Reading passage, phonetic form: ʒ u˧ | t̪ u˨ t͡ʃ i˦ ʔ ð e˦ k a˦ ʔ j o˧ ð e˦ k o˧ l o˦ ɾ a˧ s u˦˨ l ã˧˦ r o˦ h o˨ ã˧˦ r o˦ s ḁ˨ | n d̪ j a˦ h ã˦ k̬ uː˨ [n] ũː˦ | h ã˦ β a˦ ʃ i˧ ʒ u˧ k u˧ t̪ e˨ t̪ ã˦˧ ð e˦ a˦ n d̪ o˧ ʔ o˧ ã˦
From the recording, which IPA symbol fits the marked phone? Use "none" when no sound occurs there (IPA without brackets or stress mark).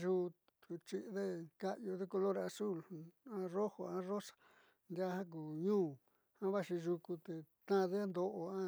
ɲ